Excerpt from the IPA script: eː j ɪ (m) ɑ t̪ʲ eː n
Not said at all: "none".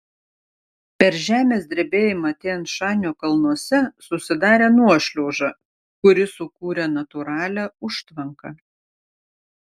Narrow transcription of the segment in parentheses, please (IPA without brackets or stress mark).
m